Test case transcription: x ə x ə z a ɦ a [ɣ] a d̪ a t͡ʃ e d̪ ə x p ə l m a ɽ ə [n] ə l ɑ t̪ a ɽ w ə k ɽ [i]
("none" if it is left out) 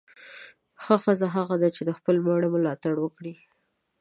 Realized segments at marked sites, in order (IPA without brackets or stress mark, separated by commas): ɣ, m, i